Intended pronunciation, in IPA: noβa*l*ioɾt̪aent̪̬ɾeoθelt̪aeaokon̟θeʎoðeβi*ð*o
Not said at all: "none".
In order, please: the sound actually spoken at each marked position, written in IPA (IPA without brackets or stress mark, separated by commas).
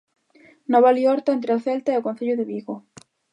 l, ɣ